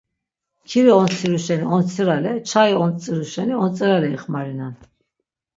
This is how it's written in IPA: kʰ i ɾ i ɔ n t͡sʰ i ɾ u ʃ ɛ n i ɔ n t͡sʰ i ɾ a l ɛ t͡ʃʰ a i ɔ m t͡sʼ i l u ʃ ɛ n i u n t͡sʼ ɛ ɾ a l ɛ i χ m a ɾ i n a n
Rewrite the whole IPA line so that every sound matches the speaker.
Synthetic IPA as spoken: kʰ i ɾ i ɔ n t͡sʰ i ɾ u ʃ ɛ n i ɔ n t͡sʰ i ɾ a l ɛ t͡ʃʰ a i ɔ n t͡sʼ i ɾ u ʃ ɛ n i ɔ n t͡sʼ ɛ ɾ a l ɛ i χ m a ɾ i n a n